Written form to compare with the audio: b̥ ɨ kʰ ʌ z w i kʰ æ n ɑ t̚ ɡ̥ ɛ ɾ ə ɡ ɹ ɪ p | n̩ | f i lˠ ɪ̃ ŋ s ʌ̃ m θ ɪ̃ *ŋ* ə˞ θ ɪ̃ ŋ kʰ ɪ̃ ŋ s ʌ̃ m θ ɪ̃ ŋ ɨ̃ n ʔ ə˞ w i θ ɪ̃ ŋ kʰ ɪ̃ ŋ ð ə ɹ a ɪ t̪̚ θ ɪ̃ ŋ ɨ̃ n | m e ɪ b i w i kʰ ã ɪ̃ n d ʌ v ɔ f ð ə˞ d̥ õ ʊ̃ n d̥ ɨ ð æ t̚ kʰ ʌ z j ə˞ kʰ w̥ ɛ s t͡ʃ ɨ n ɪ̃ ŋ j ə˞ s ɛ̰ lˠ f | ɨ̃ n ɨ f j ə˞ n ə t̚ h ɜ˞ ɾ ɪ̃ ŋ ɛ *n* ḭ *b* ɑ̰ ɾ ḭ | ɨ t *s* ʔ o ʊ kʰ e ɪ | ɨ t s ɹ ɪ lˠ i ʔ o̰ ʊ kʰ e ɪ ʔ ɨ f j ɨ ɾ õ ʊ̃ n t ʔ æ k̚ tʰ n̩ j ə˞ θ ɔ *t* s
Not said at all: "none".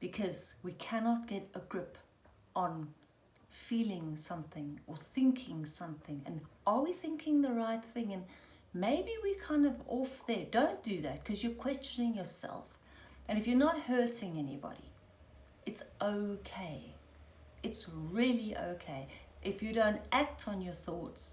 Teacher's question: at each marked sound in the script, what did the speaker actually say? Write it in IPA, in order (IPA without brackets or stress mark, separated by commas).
ŋ, n, b, s, t